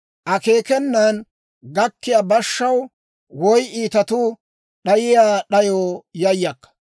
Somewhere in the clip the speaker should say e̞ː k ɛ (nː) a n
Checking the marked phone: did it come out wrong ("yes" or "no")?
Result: no